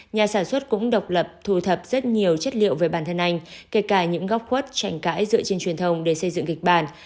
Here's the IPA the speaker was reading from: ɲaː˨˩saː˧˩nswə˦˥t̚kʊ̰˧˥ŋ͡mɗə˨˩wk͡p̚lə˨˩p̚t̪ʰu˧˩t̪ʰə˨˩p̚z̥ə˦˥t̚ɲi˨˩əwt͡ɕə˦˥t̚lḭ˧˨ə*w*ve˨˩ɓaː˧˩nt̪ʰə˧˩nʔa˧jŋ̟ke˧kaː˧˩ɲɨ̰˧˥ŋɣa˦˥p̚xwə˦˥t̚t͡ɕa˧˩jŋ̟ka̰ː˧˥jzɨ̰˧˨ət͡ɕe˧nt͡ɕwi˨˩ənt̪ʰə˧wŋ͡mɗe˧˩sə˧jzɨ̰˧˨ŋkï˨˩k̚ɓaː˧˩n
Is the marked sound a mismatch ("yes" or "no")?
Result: no